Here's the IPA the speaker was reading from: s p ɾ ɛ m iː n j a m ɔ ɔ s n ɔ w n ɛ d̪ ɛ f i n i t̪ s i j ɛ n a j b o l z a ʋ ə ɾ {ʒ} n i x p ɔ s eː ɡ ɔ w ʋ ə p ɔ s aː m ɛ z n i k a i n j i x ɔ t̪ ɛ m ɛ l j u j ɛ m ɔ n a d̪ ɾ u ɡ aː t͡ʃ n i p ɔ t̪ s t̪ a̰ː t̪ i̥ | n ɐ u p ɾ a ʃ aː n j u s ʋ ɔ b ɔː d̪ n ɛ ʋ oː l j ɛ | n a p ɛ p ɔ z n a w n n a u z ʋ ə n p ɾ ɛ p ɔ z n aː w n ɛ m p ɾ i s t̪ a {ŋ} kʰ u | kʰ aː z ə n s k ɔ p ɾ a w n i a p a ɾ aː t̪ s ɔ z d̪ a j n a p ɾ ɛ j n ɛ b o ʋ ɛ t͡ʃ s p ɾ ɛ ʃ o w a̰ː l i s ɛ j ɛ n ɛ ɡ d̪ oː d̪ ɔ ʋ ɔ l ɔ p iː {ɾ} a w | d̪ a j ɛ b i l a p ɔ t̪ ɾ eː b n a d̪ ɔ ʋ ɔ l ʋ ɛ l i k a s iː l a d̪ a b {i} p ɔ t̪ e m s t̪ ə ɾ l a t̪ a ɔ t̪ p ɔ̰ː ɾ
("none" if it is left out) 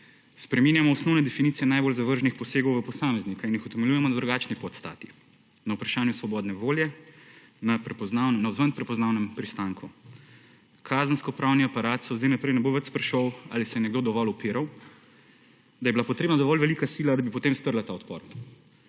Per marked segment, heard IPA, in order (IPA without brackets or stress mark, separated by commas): ʒ, ŋ, ɾ, i